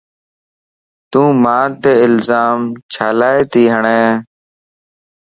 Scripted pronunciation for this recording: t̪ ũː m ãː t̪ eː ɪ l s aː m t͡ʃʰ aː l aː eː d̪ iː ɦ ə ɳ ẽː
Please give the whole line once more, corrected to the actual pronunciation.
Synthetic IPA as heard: t̪ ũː m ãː t̪ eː ɪ l z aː m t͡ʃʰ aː l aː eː t̪ iː ɦ ə ɳ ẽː